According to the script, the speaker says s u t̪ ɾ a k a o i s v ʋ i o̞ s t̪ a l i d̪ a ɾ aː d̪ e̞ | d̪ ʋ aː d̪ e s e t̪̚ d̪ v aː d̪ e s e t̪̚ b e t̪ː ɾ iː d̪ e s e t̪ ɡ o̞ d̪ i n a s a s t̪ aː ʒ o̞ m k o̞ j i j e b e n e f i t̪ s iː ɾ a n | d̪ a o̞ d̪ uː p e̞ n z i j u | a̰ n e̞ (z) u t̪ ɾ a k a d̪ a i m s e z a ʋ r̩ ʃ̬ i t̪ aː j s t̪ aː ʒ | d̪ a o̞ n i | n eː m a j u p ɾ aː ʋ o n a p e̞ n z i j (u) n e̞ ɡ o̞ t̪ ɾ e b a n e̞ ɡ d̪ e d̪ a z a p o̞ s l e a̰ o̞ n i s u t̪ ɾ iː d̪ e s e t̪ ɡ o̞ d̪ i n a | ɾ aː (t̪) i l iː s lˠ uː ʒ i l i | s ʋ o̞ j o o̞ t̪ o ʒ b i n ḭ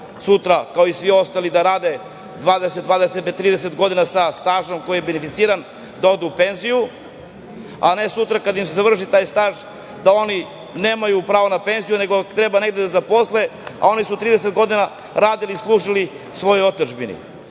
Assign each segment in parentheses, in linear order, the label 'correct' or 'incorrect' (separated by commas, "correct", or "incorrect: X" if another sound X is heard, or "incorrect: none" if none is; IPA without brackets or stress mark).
incorrect: s, correct, incorrect: d̪